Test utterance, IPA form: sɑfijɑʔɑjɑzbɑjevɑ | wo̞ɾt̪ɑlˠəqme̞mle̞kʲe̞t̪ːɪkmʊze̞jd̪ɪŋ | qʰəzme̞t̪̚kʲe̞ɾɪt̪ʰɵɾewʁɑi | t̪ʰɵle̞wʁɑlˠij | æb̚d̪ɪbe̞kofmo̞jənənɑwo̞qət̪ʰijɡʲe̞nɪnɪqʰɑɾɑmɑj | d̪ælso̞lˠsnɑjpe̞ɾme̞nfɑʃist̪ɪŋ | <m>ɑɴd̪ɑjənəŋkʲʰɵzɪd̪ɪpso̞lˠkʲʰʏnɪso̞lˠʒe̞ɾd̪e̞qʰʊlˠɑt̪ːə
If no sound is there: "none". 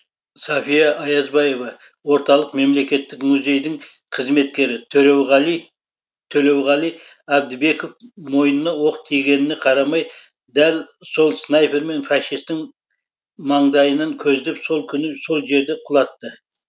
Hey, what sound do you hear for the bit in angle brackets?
m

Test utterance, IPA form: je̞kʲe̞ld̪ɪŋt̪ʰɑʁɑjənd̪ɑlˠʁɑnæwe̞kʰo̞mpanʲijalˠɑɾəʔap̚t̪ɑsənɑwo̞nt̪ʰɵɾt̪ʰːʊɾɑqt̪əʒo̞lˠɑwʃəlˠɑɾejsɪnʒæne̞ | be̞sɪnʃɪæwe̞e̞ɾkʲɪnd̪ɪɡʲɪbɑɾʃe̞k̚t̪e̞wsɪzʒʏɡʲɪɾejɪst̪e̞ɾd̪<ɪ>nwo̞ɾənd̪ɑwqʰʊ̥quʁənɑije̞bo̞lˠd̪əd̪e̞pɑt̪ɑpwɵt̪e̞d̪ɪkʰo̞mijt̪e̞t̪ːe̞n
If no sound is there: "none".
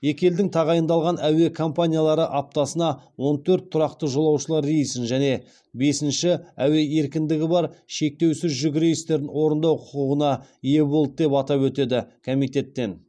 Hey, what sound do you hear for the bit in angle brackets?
ɪ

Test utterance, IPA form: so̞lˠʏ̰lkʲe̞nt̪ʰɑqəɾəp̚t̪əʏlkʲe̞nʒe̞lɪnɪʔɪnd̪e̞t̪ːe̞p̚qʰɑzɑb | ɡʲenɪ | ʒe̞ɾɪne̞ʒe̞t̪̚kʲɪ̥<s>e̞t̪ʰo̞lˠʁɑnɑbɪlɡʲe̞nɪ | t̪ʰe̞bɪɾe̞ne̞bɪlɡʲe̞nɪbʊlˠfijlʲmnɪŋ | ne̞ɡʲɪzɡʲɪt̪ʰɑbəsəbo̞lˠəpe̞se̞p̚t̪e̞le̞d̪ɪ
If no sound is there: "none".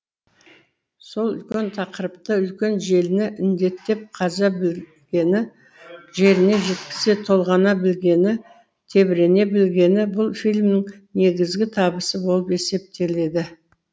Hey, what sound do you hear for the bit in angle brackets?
s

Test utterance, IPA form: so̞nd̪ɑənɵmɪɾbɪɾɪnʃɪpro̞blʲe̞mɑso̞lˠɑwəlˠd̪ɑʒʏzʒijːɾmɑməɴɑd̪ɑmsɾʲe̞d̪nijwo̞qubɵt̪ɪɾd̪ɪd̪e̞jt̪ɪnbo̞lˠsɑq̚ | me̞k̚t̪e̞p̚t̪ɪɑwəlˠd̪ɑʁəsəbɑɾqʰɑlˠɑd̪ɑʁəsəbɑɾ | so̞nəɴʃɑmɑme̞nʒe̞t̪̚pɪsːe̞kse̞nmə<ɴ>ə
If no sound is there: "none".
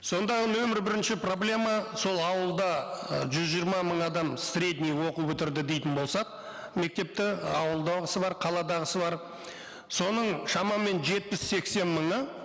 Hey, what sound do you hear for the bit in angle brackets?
ɴ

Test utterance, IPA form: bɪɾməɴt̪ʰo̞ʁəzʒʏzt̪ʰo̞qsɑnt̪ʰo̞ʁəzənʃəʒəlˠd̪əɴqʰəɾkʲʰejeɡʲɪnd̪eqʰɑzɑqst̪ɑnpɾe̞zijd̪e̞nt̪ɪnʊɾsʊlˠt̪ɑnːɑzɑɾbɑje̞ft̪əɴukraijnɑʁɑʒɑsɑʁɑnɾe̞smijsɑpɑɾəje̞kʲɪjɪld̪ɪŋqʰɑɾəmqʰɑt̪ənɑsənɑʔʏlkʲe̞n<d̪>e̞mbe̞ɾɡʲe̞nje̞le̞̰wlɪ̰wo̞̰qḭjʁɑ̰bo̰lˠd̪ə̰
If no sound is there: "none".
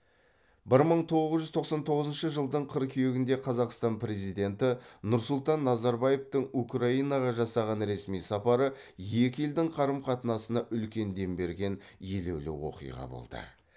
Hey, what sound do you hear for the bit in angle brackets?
d̪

